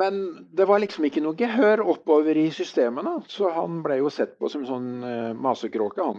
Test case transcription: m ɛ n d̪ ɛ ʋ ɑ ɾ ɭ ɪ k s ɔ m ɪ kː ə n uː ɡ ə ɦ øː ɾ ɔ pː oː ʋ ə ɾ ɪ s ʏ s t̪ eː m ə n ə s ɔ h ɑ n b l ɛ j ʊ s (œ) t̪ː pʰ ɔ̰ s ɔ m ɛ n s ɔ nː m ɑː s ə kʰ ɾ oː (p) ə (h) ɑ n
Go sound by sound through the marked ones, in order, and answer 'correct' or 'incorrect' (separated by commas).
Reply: incorrect, incorrect, correct